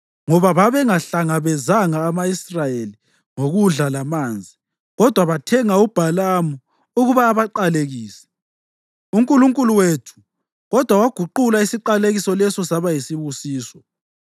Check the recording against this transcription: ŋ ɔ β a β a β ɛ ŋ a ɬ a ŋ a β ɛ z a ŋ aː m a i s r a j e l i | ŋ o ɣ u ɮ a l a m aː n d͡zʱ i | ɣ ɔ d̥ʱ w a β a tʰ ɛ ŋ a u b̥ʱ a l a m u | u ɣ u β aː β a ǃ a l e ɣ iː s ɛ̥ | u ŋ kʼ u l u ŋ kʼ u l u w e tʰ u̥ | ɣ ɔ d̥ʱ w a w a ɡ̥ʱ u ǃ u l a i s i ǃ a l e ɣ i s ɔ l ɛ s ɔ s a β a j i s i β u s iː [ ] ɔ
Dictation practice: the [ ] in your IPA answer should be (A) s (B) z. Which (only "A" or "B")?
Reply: A